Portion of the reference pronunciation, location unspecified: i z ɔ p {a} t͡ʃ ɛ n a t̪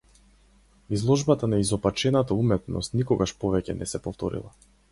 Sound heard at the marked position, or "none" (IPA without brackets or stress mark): a